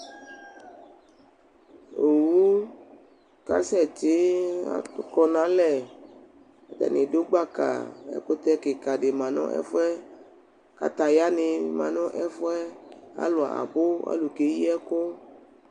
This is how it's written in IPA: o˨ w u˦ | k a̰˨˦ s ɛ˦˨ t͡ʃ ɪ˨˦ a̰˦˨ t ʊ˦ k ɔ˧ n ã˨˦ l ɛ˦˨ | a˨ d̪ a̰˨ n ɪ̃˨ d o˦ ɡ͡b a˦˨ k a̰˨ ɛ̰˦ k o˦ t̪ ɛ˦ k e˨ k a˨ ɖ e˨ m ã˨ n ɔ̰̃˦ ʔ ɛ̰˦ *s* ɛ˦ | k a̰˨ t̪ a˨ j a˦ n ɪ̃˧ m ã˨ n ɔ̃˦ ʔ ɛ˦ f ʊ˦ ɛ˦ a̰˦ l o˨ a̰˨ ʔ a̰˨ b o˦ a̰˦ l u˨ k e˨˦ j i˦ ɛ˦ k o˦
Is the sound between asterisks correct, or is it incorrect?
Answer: incorrect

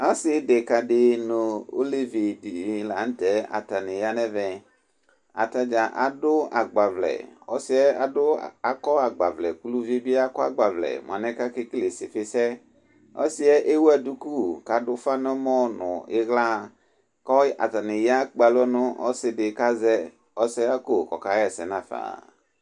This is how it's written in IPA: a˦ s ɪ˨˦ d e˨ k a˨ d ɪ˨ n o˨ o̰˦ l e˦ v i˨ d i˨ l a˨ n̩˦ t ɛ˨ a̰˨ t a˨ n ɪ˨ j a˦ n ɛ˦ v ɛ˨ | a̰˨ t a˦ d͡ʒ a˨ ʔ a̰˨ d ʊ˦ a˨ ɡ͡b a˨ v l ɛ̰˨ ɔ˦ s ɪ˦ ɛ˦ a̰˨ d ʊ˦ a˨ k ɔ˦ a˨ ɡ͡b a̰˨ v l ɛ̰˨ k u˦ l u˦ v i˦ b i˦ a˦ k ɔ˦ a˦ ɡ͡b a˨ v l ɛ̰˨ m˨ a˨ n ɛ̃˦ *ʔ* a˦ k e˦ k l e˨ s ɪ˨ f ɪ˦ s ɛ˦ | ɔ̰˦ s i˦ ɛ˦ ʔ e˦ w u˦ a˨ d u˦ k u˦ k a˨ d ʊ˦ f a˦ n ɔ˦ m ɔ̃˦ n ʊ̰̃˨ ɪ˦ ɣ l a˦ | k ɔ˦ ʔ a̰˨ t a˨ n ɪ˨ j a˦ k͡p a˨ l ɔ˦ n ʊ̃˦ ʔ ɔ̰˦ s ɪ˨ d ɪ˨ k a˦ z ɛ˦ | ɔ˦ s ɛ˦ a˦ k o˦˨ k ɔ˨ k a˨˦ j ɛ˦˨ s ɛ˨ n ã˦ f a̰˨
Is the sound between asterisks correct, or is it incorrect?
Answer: incorrect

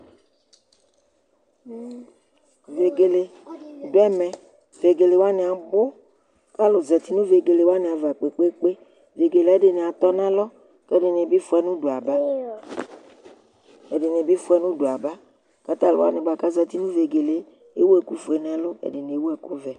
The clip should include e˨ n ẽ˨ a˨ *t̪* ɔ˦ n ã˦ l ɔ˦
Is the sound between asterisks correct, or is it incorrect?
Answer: correct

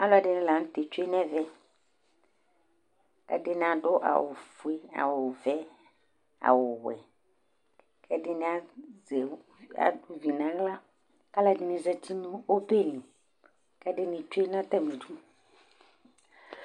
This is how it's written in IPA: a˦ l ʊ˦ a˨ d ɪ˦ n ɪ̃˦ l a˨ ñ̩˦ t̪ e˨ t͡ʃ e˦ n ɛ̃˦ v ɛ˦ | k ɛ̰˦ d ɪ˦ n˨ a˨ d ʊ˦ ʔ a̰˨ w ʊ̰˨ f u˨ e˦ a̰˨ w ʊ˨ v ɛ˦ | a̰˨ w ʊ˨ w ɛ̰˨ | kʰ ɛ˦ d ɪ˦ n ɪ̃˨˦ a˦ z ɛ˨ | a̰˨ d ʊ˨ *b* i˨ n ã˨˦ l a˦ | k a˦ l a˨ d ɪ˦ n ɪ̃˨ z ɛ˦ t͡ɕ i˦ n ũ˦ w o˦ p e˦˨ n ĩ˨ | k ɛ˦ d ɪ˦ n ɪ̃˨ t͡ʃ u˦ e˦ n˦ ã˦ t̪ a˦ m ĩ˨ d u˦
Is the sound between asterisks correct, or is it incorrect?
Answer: incorrect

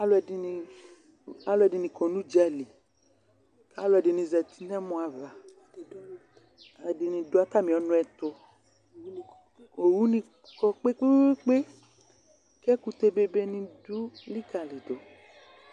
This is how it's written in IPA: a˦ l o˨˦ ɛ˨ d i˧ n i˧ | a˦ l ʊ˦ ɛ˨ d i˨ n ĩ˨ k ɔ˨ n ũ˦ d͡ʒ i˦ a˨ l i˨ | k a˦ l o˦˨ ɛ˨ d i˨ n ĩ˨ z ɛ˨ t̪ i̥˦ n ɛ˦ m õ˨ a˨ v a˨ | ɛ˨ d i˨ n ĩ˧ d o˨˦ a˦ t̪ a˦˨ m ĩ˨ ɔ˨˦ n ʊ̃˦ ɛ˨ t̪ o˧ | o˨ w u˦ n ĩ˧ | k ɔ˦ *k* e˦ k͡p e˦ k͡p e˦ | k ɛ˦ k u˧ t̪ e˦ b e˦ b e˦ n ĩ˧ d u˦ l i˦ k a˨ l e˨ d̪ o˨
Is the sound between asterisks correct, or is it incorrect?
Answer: incorrect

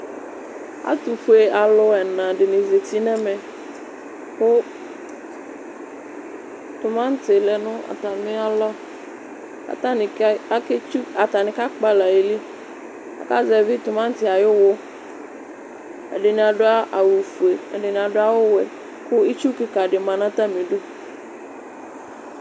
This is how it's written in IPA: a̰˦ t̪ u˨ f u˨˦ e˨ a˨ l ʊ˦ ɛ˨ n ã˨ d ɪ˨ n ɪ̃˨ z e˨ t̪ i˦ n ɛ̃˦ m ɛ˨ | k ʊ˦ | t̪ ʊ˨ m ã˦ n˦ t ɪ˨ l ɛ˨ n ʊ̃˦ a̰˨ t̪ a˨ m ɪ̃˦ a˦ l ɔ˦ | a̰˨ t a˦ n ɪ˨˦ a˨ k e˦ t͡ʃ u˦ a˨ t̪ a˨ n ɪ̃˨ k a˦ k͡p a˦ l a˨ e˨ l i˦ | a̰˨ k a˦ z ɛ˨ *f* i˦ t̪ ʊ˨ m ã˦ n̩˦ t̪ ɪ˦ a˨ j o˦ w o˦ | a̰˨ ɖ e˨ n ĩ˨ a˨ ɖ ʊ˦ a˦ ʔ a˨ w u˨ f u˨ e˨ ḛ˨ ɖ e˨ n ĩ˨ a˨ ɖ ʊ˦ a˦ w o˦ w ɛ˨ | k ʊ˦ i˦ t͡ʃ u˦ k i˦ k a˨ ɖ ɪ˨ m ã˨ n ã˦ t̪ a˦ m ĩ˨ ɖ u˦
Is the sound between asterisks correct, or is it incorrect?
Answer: incorrect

